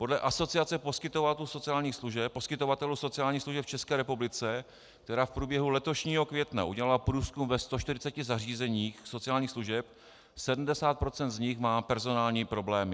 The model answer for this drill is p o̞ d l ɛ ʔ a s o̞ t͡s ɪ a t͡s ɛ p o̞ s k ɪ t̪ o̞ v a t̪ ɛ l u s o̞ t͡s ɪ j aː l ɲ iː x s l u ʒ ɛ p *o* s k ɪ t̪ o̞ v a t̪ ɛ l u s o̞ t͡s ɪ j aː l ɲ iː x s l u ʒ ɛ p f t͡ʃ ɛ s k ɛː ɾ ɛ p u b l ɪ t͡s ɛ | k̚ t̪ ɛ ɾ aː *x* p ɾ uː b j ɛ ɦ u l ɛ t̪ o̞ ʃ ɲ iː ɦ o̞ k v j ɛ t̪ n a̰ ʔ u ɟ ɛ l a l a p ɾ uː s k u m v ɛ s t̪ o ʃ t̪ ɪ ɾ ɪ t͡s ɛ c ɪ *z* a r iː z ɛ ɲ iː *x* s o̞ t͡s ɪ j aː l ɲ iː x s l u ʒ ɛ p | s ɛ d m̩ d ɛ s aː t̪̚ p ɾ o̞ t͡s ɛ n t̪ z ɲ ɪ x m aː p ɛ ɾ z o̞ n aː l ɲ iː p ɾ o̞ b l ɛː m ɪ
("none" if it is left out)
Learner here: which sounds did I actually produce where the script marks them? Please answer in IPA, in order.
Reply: o, f, z, x

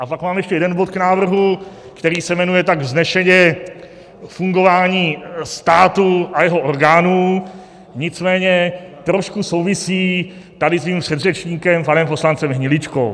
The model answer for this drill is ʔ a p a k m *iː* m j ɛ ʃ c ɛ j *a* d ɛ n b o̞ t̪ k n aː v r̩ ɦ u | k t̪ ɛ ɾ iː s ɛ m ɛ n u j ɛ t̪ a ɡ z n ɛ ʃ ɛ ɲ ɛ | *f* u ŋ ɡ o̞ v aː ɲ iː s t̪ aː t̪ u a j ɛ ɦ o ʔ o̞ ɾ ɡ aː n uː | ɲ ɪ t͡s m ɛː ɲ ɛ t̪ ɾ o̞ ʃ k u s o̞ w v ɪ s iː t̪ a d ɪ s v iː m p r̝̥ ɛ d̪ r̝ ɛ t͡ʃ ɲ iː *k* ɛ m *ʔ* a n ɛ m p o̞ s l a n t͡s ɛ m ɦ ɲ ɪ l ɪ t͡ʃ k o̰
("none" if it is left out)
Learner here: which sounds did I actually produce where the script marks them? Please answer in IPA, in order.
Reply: aː, ɛ, f, k, p

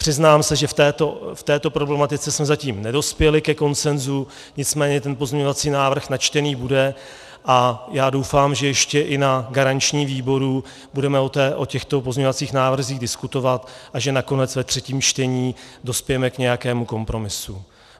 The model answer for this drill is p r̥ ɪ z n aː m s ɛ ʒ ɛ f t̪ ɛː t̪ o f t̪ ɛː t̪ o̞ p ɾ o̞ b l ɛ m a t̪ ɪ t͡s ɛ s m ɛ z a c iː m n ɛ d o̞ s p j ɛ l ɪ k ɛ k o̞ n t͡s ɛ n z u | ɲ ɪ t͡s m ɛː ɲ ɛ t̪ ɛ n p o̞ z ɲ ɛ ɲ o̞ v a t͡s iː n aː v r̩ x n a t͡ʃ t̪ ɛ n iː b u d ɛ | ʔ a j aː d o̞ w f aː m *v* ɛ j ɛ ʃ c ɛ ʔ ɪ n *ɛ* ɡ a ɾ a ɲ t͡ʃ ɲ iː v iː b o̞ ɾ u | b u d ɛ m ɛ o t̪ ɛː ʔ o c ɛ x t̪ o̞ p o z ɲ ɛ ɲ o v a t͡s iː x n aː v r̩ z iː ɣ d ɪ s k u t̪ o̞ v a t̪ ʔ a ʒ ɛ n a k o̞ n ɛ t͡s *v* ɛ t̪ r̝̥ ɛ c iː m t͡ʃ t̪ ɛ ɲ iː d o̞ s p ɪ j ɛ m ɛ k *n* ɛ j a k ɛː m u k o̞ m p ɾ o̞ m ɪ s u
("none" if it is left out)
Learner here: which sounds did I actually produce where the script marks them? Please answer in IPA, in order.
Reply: ʒ, a, v, ɲ

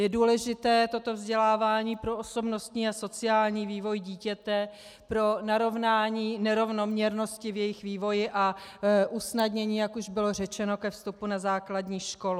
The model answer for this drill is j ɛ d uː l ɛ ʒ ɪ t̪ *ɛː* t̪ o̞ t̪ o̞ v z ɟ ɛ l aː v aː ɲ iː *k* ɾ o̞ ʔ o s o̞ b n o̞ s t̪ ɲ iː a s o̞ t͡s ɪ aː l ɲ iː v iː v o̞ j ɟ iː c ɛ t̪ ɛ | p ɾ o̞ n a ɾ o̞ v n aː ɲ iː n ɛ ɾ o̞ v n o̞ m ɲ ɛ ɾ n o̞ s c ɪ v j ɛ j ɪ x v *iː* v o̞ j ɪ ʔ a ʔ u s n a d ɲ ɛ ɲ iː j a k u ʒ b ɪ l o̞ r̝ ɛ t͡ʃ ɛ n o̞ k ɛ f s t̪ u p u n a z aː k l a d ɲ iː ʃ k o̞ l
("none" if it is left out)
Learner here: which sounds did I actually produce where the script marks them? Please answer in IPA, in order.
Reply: ɛː, p, iː

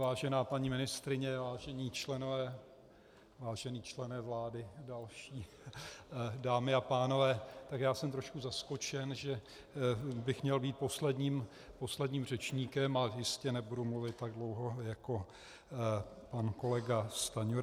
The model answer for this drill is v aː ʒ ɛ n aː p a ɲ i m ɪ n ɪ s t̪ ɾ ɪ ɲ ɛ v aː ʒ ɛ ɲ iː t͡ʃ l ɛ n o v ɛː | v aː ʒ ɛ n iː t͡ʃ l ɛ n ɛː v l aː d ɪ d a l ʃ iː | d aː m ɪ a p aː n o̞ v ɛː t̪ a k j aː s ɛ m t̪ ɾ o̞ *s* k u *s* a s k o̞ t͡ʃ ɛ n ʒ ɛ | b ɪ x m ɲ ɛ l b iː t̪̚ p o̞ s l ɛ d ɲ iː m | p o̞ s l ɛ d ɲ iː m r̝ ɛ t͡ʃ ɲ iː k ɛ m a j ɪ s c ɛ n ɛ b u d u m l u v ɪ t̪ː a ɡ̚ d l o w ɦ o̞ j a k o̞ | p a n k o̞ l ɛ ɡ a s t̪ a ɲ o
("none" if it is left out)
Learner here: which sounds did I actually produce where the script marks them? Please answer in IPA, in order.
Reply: ʃ, z

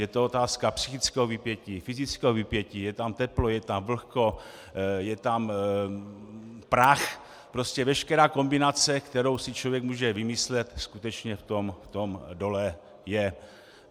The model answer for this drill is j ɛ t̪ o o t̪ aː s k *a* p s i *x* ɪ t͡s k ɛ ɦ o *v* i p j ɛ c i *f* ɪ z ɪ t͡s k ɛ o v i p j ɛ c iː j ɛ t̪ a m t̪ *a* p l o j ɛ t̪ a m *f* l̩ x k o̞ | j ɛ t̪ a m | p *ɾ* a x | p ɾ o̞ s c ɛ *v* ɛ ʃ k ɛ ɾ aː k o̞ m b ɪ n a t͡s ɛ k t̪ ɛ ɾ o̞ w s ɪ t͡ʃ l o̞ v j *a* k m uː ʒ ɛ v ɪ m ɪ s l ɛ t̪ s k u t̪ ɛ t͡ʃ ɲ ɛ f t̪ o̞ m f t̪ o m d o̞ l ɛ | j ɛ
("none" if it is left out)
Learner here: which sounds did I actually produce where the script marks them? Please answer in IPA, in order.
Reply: a, x, v, f, ɛ, v, ɾ, v, ɛ

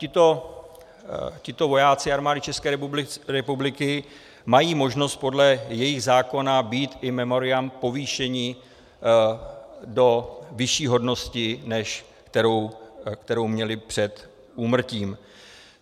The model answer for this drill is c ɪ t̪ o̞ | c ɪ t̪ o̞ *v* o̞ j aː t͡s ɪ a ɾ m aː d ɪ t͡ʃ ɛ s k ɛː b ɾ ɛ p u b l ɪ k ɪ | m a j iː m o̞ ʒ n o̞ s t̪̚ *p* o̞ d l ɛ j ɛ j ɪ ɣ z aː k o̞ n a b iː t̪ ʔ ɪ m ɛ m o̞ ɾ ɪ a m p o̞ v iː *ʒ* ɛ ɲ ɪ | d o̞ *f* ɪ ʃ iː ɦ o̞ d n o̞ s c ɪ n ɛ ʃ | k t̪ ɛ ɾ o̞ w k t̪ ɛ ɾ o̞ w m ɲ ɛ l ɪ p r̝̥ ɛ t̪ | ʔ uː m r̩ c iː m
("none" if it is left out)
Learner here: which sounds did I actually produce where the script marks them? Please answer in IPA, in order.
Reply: v, p, ʃ, v

